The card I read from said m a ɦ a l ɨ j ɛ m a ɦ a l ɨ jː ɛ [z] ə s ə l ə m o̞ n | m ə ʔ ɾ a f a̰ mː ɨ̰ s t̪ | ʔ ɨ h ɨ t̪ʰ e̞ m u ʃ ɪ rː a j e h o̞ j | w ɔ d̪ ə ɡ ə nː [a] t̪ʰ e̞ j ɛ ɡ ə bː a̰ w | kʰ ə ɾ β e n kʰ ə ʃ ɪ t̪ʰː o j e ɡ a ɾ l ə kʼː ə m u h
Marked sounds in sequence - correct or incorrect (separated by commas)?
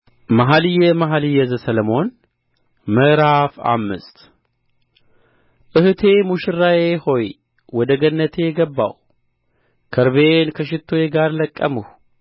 correct, incorrect